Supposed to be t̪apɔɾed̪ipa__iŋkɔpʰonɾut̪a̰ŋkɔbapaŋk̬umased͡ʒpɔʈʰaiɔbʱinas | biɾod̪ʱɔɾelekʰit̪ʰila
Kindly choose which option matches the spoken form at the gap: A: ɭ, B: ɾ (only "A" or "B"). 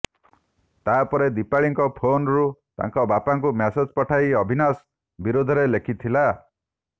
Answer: A